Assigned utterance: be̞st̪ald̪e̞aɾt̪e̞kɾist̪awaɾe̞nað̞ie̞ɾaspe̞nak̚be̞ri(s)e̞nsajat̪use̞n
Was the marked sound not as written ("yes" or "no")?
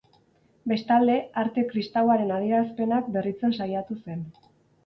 yes